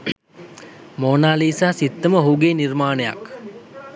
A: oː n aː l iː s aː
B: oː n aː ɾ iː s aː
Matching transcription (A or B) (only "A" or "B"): A